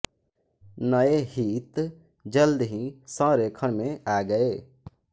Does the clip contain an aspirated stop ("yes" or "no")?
yes